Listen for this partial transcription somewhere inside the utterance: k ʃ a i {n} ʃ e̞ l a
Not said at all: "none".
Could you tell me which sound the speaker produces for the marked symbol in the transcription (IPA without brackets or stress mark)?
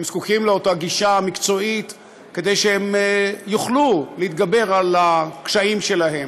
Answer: m